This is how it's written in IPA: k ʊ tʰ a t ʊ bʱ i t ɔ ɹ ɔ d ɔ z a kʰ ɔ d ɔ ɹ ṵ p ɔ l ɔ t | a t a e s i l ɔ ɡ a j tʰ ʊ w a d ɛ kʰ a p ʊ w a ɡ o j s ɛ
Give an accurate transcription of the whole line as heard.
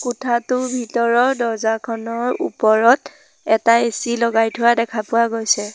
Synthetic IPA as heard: k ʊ tʰ a t ʊ bʱ i t ɔ ɹ ɔ d ɔ z a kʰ ɔ n ɔ ɹ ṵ p ɔ ɹ ɔ t | ɛ t a e s i l ɔ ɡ a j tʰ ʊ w a d ɛ kʰ a p ʊ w a ɡ o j s ɛ